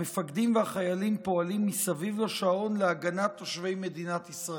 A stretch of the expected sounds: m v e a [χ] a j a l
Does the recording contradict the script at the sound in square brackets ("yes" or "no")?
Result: no